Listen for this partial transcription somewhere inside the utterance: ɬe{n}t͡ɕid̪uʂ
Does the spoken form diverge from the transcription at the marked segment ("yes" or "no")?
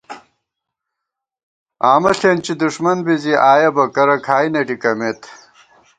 no